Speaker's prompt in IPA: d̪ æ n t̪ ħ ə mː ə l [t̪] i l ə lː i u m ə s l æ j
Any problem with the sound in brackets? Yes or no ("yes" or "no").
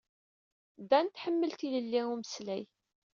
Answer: no